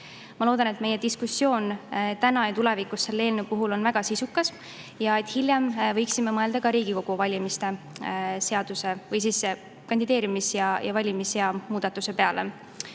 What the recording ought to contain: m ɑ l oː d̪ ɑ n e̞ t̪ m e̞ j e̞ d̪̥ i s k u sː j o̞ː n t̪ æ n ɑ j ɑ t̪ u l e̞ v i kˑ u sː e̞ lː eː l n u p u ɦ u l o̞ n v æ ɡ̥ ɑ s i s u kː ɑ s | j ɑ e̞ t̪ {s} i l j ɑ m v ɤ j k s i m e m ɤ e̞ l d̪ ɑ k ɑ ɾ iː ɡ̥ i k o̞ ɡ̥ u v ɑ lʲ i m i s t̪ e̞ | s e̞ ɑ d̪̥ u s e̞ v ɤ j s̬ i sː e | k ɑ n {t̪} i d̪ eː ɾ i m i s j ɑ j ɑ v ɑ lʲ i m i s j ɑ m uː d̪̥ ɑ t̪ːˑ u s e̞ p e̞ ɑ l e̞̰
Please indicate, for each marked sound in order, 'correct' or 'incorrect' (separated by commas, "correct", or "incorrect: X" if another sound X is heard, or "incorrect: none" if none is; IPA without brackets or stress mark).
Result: incorrect: h, incorrect: d̪